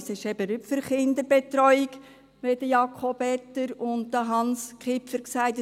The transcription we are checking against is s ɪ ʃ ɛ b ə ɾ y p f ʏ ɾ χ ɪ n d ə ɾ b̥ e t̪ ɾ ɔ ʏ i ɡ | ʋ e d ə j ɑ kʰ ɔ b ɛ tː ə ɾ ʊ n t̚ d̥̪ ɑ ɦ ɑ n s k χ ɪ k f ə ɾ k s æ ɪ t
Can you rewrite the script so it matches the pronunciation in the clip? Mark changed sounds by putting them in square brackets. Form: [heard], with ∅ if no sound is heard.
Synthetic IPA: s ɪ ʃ ɛ b ə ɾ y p f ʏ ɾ χ ɪ n d ə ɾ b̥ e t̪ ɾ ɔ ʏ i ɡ | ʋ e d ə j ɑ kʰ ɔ b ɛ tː ə ɾ ʊ n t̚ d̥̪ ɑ ɦ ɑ n s k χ ɪ [p] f ə ɾ k s æ ɪ t